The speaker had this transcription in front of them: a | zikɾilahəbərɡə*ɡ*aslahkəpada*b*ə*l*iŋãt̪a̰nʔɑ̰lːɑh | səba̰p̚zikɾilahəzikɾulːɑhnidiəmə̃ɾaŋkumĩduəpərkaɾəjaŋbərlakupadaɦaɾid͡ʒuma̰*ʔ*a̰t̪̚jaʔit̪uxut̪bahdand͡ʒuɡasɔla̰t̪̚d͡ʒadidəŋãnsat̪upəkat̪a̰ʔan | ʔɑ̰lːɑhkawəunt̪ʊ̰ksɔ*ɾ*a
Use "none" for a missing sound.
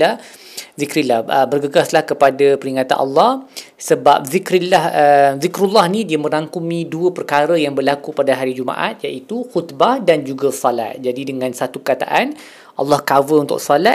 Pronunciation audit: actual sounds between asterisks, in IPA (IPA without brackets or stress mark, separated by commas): ɡ, p, ɾ, ʔ, l